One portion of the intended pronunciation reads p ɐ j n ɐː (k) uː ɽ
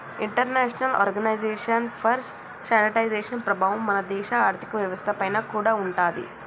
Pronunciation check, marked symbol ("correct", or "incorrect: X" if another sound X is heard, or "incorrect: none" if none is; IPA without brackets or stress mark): correct